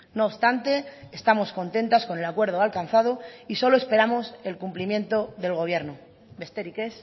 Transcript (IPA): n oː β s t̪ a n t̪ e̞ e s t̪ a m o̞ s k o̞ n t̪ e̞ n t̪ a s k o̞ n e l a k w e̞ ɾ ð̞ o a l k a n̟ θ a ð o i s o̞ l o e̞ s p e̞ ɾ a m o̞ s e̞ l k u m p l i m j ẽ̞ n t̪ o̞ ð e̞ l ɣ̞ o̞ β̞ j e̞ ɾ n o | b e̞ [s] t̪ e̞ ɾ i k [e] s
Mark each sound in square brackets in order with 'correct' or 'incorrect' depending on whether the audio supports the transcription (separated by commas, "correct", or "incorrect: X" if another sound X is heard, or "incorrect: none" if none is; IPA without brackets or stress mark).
correct, correct